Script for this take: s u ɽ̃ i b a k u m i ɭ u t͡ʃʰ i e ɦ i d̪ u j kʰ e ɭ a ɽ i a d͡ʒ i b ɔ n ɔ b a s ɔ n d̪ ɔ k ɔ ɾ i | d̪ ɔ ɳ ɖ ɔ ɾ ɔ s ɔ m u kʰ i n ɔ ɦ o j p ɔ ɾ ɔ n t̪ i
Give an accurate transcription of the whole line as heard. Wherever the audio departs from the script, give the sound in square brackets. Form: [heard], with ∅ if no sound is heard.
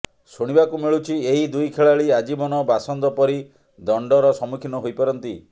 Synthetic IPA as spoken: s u ɽ̃ i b a k u m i ɭ u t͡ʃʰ i e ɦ i d̪ u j kʰ e ɭ a [ɭ] i a d͡ʒ i b ɔ n ɔ b a s ɔ n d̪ ɔ [p] ɔ ɾ i | d̪ ɔ ɳ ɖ ɔ ɾ ɔ s ɔ m u kʰ i n ɔ ɦ o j p ɔ ɾ ɔ n t̪ i